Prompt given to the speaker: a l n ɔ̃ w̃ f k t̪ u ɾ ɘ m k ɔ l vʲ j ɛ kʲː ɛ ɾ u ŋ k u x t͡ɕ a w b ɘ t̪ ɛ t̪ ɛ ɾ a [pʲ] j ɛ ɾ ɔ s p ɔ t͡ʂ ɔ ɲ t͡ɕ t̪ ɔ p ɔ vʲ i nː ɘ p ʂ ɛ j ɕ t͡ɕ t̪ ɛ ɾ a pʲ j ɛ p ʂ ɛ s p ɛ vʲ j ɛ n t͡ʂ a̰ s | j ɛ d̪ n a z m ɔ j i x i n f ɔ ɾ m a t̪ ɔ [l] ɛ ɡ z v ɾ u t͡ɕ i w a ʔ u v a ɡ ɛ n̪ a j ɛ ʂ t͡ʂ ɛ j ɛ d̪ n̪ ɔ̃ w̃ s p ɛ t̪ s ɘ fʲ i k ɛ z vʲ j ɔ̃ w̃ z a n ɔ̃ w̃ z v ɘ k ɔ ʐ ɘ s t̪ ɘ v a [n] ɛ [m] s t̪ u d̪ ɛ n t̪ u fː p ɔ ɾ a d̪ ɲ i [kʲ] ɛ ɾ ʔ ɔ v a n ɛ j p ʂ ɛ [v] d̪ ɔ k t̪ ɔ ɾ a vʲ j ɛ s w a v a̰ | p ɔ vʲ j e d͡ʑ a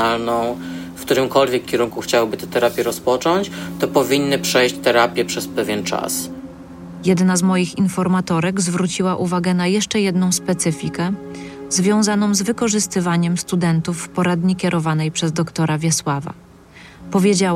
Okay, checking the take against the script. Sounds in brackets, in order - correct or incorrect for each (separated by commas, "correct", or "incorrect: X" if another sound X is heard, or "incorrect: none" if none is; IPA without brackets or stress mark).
correct, incorrect: ɾ, incorrect: ɲ, correct, correct, incorrect: z